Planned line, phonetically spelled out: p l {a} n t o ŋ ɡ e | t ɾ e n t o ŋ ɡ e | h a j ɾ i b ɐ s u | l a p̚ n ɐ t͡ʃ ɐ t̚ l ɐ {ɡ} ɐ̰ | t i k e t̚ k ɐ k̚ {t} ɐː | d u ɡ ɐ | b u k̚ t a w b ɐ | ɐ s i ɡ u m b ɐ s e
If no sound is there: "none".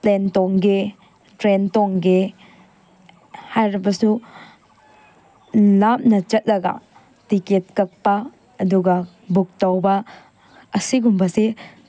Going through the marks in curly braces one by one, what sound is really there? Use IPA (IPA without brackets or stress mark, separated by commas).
e, ɡ, p